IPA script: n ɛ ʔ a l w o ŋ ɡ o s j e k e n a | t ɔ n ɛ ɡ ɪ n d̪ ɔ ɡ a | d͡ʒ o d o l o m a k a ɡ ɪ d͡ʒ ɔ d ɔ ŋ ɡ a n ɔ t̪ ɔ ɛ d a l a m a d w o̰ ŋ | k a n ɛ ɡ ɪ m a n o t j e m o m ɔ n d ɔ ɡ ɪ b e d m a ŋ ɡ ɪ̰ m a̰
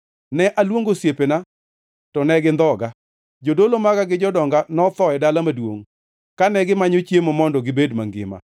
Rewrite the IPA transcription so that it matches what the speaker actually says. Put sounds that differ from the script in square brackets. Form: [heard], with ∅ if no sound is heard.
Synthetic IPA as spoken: n ɛ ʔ a l w o ŋ ɡ o s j e [p] e n a | t ɔ n ɛ ɡ ɪ n d̪ ɔ ɡ a | d͡ʒ o d o l o m a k a ɡ ɪ d͡ʒ ɔ d ɔ ŋ ɡ a n ɔ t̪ ɔ ɛ d a l a m a d w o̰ ŋ | k a n ɛ ɡ ɪ m a [ɲ] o [t͡ʃ] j e m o m ɔ n d ɔ ɡ ɪ b e d m a ŋ ɡ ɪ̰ m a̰